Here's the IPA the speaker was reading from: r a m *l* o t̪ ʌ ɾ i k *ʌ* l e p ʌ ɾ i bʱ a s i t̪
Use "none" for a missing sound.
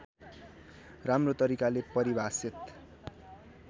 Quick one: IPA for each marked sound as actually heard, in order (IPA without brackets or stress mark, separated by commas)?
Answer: r, a